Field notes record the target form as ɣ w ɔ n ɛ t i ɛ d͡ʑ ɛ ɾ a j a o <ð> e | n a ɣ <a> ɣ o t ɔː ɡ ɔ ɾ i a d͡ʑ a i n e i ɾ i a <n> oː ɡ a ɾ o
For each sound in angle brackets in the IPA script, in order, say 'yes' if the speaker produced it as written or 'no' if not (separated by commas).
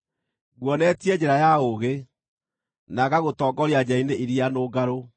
no, yes, yes